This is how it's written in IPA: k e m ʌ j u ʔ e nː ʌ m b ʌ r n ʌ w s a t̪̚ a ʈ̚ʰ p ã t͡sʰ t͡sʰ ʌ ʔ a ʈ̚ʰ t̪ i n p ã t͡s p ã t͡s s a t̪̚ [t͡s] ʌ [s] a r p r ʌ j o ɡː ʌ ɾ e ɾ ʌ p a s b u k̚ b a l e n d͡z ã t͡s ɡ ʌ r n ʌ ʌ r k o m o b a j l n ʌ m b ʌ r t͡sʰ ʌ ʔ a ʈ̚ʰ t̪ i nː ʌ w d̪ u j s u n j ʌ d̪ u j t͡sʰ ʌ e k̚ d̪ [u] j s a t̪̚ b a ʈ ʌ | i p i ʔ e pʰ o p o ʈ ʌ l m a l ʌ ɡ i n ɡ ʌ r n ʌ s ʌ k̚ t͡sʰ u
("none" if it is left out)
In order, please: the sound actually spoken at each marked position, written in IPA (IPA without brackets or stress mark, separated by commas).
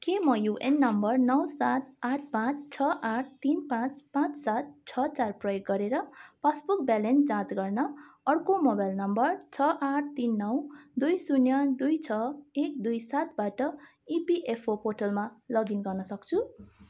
t͡sʰ, t͡s, u